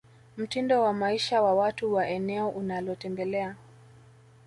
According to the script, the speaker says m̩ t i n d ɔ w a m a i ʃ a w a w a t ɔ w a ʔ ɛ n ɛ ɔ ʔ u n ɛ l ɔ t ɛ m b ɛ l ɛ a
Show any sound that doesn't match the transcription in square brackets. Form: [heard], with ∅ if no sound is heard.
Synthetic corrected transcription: m̩ t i n d ɔ w a m a i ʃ a w a w a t [u] w a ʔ ɛ n ɛ ɔ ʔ u n [a] l ɔ t ɛ m b ɛ l ɛ a

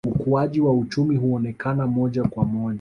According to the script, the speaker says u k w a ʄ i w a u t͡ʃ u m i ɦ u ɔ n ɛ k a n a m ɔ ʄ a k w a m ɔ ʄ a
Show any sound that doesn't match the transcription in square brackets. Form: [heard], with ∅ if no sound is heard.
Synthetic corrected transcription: u k [u] a ʄ i w a u t͡ʃ u m i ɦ u ɔ n ɛ k a n a m ɔ ʄ a k w a m ɔ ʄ a

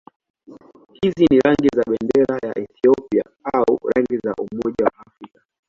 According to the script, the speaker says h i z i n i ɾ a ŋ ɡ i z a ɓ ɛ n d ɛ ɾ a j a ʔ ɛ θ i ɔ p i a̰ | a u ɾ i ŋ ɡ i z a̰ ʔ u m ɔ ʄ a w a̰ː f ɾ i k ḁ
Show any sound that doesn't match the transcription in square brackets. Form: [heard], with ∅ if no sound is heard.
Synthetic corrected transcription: h i z i n i ɾ a ŋ ɡ i z a ɓ ɛ n d ɛ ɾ a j a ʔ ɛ θ i ɔ p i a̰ | a u ɾ [a] ŋ ɡ i z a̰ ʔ u m ɔ ʄ a w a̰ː f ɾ i k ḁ

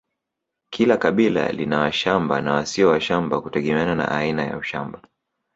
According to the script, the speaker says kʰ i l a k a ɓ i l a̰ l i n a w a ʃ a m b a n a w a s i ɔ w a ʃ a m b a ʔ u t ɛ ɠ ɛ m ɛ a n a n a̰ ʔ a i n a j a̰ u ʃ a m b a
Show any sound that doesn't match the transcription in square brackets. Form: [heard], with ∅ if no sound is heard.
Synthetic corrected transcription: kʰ i l a k a ɓ i l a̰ l i n a w a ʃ a m b a n a w a s i ɔ w a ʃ a m b a [k] u t ɛ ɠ ɛ m ɛ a n a n a̰ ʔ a i n a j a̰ u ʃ a m b a

